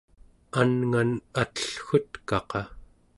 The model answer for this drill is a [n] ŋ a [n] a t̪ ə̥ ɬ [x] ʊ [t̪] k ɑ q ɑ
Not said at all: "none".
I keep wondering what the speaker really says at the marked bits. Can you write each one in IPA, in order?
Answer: n, n, x, t̪

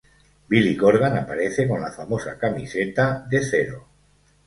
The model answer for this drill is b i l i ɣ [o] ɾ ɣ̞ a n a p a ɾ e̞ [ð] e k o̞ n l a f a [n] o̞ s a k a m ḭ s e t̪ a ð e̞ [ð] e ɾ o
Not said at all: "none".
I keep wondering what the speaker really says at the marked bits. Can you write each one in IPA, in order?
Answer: o, θ, m, θ

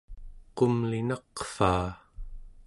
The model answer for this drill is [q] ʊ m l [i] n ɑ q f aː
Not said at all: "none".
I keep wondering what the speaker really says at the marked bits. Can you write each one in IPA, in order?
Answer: q, i

